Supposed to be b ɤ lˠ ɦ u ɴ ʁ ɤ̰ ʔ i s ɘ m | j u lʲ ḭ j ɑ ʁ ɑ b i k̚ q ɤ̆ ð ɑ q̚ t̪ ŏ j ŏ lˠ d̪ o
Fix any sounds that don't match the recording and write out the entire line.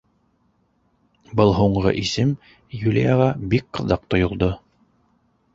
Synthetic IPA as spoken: b ɤ lˠ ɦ u ɴ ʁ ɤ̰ ʔ i s ɘ m | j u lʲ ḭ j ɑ ʁ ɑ b i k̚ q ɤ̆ ð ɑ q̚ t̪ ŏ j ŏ lˠ d̪ o